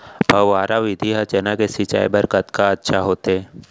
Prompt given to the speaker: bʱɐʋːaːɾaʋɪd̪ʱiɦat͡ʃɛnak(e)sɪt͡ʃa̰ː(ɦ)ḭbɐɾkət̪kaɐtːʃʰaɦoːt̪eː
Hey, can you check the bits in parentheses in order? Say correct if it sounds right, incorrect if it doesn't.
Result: correct, incorrect: none

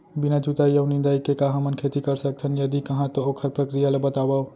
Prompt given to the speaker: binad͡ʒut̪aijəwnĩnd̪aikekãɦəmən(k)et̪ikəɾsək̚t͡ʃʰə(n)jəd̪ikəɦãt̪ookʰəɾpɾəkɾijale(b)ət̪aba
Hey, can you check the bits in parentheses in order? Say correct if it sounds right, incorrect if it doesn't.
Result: incorrect: kʰ, correct, correct

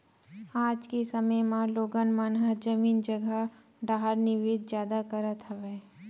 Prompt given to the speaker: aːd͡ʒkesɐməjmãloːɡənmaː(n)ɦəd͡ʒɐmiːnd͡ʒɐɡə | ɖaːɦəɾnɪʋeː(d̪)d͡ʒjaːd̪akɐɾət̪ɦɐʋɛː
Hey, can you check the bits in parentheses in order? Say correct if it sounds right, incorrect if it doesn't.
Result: correct, correct

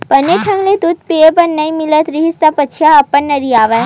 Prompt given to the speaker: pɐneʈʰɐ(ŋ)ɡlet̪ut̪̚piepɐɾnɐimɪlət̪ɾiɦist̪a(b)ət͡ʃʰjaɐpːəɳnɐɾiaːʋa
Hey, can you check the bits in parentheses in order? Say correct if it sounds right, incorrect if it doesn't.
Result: correct, incorrect: p

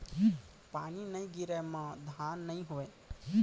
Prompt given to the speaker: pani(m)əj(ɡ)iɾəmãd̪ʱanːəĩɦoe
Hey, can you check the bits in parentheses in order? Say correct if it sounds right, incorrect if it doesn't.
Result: incorrect: n, correct

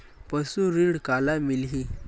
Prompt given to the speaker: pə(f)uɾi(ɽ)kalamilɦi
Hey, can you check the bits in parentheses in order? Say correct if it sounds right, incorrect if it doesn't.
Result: incorrect: s, correct

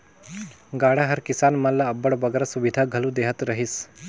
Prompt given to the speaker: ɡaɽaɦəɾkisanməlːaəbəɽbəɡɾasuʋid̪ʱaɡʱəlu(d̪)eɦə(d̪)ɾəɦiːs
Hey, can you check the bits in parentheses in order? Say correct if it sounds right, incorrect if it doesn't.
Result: correct, incorrect: t̪

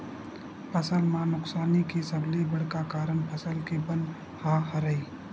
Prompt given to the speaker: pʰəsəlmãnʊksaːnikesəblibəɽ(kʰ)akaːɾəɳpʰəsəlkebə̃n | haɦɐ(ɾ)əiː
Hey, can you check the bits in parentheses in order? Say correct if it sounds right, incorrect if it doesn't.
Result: incorrect: k, correct

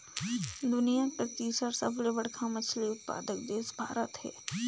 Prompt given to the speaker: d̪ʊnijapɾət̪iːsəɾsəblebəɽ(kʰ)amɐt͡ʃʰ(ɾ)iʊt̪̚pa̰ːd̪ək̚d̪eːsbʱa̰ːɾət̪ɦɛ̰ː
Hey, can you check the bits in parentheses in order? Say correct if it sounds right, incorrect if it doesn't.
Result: correct, incorrect: l

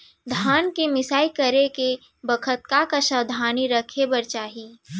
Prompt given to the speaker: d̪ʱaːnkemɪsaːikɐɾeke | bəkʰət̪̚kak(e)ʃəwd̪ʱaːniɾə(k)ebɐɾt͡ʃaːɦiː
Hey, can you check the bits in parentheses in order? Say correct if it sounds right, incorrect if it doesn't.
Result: incorrect: a, incorrect: kʰ

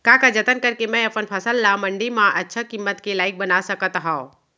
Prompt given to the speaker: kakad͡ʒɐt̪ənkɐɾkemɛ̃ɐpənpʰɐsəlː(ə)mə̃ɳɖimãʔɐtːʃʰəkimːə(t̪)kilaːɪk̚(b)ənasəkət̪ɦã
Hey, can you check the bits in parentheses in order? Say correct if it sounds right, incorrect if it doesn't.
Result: incorrect: a, correct, correct

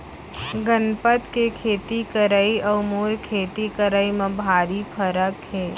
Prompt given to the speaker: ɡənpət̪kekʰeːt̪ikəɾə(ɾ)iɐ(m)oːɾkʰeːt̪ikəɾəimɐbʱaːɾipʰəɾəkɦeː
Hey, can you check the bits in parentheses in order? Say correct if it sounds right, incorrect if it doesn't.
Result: incorrect: none, correct

